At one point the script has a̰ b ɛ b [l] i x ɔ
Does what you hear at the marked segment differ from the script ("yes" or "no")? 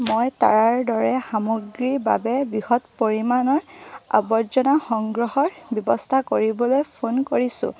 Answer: yes